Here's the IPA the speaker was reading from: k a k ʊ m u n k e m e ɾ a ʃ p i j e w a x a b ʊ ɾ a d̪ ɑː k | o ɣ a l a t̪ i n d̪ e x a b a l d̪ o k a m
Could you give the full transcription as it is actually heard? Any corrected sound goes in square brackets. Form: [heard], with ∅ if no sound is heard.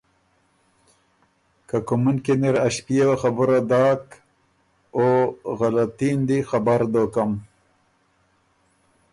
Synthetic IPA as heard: k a k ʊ m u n k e [n] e ɾ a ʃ p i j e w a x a b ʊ ɾ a d̪ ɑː k | o ɣ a l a t̪ i n d̪ [i] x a b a [ɾ] d̪ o k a m

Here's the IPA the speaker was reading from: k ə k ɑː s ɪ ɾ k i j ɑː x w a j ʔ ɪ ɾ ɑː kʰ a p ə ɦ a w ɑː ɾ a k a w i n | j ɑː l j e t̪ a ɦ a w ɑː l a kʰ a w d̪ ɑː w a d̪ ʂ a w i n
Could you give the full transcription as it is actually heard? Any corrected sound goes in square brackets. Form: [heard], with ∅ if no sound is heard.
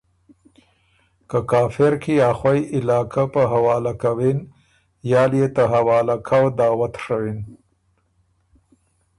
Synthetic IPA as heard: k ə k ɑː [f] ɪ ɾ k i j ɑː x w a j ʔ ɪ [l] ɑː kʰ a p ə ɦ a w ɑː [l] a k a w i n | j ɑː l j e t̪ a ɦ a w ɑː l a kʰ a w d̪ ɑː w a [t̪] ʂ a w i n

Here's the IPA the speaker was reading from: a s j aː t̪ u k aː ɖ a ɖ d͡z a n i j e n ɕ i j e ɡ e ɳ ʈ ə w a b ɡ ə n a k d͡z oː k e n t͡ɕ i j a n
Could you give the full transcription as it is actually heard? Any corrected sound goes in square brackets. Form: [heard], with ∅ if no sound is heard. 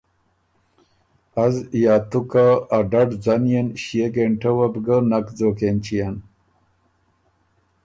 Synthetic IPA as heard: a [z] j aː t̪ u k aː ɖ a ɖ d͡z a n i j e n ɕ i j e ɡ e ɳ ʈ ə w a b ɡ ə n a k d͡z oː k e n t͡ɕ i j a n

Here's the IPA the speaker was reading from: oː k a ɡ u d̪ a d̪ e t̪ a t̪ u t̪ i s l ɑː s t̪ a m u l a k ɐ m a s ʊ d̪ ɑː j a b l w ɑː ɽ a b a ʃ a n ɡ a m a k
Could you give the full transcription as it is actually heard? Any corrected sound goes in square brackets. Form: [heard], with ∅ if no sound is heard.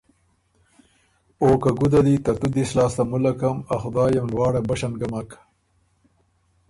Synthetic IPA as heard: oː k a ɡ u d̪ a d̪ [i] t̪ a t̪ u [d̪] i s l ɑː s t̪ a m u l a k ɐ m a [x] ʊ d̪ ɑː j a [m] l w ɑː ɽ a b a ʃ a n ɡ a m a k

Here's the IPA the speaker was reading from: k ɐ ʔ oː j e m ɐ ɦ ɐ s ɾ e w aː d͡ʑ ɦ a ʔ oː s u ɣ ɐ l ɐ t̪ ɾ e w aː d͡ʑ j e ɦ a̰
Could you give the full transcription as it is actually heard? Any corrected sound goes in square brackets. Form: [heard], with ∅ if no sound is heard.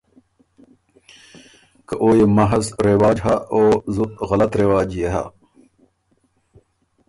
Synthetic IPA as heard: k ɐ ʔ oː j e m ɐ ɦ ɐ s ɾ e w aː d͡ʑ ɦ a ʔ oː [z] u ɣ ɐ l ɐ t̪ ɾ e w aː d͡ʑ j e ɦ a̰

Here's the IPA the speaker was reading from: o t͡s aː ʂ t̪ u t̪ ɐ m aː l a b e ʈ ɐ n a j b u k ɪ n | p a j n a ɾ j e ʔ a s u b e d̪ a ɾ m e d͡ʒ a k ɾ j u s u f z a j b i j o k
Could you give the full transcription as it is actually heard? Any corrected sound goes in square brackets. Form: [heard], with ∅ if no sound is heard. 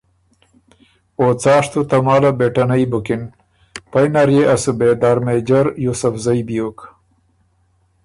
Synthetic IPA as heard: o t͡s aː ʂ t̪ u t̪ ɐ m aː l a b e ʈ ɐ n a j b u k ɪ n | p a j n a ɾ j e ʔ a s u b e d̪ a ɾ m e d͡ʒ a [∅] ɾ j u s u f z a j b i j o k

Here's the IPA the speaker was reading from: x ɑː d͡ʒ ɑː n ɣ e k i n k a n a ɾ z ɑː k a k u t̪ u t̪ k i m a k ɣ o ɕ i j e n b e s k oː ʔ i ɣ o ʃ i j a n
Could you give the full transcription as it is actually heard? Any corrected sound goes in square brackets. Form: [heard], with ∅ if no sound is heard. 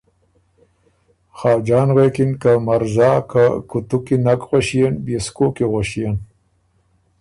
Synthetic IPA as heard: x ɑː d͡ʒ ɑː n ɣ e k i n k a [m] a ɾ z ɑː k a k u t̪ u [∅] k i [n] a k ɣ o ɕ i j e n b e s k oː [k] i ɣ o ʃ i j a n

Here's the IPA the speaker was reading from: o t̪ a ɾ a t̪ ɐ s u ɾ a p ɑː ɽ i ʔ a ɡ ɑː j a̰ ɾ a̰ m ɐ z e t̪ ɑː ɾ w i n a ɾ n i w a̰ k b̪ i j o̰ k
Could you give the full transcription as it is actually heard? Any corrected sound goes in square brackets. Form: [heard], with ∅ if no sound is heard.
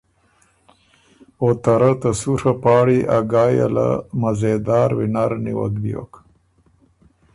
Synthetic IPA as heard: o t̪ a ɾ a t̪ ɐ s u ɾ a p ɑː ɽ i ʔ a ɡ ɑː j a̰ [l] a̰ m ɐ z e [d̪] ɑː ɾ w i n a ɾ n i w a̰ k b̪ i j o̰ k

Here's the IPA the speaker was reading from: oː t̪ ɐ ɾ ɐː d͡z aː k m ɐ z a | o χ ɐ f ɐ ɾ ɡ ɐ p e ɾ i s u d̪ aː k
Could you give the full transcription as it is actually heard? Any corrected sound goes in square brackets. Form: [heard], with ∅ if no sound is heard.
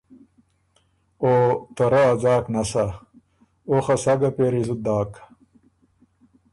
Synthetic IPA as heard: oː t̪ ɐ ɾ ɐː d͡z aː k [n] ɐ [s] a | o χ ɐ [s] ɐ [∅] ɡ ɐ p e ɾ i [z] u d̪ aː k

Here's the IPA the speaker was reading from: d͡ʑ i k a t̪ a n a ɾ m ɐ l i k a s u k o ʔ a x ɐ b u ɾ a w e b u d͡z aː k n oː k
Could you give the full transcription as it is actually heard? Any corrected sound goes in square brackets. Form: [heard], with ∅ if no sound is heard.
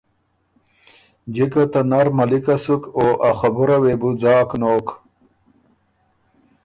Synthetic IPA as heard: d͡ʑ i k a t̪ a n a ɾ m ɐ l i k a s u k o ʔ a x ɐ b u ɾ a w e b u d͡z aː k n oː k

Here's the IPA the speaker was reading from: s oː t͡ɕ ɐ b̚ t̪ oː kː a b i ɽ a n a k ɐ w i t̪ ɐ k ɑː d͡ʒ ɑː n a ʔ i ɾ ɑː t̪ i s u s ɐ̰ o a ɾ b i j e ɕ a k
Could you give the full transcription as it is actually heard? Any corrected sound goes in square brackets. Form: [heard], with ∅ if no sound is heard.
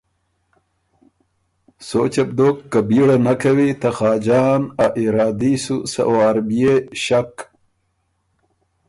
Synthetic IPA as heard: s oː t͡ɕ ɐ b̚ [d̪] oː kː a b i ɽ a n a k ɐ w i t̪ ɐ [x] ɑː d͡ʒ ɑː n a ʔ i ɾ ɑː [d̪] i s u s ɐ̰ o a ɾ b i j e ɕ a k

